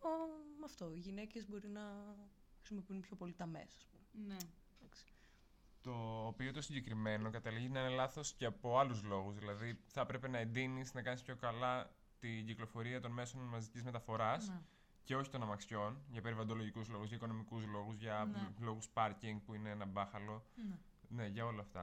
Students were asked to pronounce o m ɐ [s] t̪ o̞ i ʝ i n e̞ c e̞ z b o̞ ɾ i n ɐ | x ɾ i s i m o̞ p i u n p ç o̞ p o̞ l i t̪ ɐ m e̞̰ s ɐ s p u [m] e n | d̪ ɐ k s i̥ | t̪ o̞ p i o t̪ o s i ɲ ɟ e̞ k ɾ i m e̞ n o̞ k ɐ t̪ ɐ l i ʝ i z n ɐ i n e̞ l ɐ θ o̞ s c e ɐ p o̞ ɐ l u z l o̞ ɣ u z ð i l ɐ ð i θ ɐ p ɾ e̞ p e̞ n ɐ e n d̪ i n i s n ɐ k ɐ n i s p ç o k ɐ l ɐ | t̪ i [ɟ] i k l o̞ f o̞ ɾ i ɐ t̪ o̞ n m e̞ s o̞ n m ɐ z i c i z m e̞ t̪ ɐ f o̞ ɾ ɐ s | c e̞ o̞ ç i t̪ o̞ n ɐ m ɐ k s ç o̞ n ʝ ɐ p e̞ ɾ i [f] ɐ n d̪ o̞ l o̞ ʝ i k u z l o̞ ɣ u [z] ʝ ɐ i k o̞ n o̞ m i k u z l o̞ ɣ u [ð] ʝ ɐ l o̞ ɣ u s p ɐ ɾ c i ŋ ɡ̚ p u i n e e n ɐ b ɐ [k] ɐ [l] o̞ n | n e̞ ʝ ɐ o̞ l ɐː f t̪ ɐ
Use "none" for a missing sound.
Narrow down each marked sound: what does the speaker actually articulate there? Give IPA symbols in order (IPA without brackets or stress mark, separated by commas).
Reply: f, m, ɟ, v, z, z, x, l